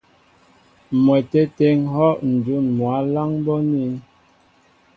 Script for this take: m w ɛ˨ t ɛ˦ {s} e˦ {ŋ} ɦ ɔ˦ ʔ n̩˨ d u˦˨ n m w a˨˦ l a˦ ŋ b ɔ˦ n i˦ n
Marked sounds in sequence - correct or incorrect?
incorrect, correct

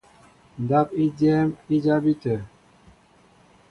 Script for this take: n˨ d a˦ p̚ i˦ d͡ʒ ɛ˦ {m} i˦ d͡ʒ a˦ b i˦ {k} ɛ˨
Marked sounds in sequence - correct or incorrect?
correct, incorrect

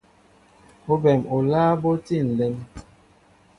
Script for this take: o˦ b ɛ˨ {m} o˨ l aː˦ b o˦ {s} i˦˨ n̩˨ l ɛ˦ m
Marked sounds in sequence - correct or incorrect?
correct, incorrect

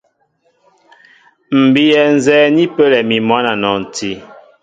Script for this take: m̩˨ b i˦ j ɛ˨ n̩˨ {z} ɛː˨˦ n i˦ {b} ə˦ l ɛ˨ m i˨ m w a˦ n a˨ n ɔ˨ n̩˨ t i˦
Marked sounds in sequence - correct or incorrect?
correct, incorrect

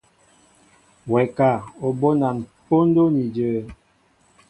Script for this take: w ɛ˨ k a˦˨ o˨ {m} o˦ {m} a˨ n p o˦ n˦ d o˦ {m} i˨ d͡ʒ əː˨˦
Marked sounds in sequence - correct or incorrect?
incorrect, incorrect, incorrect

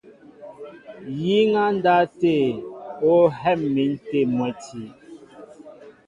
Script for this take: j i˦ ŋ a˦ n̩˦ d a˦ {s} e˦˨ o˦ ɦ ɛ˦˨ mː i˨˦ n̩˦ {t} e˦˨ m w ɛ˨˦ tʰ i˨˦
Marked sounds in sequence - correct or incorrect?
incorrect, correct

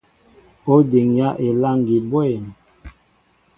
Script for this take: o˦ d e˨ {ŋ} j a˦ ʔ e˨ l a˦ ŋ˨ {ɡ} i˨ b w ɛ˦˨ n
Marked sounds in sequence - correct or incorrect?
correct, correct

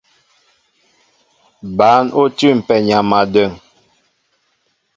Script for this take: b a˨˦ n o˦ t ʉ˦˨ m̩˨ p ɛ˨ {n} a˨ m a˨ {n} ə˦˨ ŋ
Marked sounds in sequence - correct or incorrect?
incorrect, incorrect

